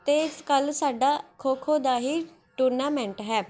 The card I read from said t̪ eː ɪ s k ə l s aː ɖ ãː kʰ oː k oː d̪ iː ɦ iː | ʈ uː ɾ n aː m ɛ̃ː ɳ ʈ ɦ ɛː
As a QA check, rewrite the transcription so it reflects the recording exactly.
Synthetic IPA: t̪ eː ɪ s k ə l s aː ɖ aː kʰ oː kʰ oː d̪ aː ɦ iː | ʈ uː ɾ n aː m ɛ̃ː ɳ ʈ ɦ ɛː